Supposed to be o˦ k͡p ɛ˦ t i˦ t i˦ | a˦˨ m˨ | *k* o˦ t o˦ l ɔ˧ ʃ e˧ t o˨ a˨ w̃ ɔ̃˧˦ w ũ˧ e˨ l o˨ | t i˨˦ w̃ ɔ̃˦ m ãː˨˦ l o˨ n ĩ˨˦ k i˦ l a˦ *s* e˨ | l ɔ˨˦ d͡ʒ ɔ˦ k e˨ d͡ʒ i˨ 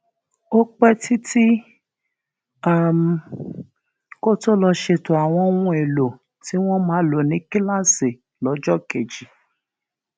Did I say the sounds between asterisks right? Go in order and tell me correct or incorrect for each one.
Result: correct, correct

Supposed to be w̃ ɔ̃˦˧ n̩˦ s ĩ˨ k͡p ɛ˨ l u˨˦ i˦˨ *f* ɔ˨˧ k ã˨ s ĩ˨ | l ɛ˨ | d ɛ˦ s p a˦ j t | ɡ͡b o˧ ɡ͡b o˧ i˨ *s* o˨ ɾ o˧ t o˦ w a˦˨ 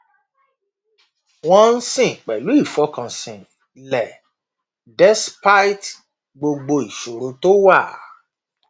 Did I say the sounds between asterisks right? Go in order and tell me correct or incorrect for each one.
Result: correct, incorrect

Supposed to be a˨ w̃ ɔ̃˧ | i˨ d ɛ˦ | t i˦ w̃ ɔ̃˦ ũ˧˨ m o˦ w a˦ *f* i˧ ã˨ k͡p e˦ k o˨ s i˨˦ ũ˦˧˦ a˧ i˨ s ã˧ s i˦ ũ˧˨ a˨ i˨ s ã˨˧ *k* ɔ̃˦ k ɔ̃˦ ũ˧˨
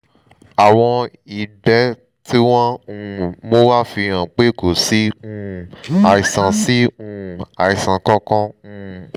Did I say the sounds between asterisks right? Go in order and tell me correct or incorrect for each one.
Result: correct, correct

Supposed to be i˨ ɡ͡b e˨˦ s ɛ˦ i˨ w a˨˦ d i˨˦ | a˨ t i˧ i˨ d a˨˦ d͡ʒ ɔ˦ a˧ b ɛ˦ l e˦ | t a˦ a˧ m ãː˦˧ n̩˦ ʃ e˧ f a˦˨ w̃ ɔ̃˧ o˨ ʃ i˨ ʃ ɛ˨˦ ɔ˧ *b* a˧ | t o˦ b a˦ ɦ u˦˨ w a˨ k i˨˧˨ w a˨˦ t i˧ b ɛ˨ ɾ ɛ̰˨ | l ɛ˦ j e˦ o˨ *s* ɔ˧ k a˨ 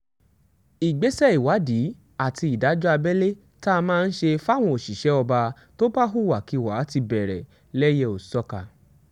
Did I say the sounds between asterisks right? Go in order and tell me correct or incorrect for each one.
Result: correct, correct

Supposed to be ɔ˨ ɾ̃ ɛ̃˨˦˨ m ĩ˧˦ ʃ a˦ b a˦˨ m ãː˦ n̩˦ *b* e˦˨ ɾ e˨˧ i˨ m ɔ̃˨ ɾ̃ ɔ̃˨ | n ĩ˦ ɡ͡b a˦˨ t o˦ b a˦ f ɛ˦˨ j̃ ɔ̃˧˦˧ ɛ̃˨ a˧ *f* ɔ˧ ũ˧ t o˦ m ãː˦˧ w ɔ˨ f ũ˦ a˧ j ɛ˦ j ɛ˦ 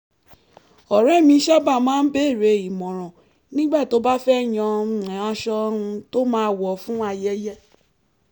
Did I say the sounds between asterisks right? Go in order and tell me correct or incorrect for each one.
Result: correct, incorrect

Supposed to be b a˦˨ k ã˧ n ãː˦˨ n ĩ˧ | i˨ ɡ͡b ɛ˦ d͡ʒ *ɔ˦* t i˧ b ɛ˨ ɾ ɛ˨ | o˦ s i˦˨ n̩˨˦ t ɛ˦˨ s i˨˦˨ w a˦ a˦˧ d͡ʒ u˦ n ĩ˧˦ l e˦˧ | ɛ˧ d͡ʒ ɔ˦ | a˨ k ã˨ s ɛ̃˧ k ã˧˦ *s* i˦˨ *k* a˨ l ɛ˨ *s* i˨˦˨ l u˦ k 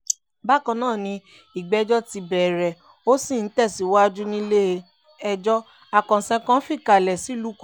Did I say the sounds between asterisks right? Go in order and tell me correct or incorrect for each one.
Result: correct, incorrect, correct, correct

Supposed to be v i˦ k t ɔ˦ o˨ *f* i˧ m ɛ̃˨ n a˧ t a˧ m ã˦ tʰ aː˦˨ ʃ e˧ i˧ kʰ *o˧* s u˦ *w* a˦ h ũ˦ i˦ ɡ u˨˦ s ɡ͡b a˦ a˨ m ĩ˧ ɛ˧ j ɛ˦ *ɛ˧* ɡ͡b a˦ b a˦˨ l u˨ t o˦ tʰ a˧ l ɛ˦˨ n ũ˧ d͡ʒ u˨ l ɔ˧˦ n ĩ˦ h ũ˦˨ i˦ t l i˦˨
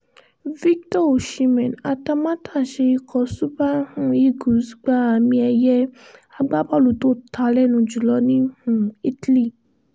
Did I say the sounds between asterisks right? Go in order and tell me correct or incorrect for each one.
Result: incorrect, incorrect, incorrect, incorrect

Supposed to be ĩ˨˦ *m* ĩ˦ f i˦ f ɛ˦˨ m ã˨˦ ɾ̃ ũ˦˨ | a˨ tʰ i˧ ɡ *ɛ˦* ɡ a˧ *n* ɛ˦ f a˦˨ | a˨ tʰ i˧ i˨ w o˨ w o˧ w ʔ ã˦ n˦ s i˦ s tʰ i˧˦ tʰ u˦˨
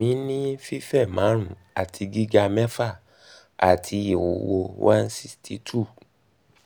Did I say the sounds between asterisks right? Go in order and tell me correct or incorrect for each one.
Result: incorrect, incorrect, incorrect

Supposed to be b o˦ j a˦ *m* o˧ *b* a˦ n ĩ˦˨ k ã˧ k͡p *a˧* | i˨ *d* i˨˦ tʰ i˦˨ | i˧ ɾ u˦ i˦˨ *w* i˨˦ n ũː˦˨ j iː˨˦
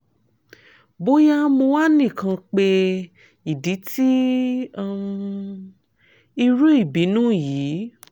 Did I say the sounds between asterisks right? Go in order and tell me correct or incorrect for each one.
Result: correct, incorrect, incorrect, correct, incorrect

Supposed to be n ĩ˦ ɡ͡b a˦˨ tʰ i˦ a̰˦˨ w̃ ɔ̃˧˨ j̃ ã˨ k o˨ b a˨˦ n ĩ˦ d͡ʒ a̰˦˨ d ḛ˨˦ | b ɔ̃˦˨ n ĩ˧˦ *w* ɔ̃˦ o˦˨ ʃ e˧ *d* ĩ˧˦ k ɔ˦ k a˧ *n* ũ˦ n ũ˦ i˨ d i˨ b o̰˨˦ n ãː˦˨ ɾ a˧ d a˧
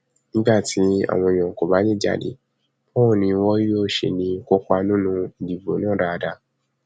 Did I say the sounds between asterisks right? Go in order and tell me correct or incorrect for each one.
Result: correct, incorrect, correct

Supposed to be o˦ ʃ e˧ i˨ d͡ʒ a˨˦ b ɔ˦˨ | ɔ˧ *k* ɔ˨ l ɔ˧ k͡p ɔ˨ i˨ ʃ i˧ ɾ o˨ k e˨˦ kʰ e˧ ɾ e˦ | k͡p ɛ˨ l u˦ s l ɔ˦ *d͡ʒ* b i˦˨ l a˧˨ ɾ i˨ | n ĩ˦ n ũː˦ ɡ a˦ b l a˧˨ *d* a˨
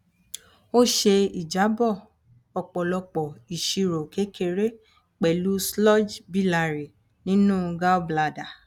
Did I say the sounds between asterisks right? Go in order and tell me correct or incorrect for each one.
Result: incorrect, correct, correct

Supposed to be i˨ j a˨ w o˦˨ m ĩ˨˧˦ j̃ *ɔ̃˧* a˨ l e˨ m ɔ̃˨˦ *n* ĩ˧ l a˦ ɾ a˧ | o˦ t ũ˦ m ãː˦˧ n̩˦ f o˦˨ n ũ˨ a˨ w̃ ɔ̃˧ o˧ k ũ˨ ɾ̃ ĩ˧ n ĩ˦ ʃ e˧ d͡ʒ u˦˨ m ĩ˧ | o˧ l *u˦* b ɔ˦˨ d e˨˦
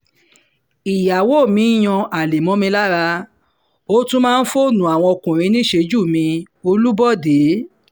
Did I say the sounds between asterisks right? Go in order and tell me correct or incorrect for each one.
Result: correct, incorrect, correct

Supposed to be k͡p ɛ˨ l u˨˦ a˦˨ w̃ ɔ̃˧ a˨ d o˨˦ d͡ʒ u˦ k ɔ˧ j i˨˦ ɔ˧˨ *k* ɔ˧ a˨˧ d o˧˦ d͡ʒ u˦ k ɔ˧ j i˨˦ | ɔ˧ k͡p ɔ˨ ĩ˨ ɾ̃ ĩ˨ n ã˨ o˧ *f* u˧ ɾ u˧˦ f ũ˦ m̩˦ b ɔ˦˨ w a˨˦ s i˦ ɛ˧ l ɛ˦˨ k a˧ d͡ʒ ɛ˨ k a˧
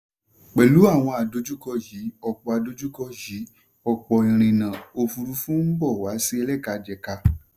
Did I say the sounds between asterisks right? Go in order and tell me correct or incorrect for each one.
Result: incorrect, correct

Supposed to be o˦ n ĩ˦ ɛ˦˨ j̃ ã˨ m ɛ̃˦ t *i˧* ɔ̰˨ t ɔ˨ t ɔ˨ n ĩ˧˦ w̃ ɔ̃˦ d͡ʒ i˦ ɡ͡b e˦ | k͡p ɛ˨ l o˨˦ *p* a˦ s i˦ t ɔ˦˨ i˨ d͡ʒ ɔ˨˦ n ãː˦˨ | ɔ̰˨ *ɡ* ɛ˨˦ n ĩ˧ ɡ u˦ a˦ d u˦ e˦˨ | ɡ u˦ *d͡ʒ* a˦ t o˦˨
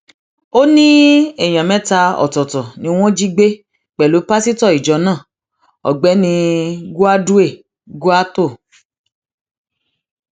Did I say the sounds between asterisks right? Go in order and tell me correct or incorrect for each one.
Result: incorrect, correct, incorrect, incorrect

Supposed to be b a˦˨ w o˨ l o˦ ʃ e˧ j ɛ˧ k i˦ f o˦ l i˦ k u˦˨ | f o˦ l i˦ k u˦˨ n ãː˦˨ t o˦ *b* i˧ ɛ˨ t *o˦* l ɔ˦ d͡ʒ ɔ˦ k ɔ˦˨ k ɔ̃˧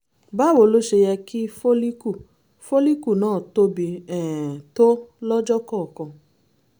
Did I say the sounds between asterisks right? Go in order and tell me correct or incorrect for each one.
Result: correct, correct

